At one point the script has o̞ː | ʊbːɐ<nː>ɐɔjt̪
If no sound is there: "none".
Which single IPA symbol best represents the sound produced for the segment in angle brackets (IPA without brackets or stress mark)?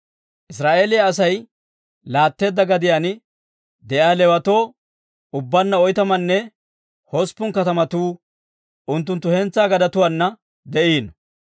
nː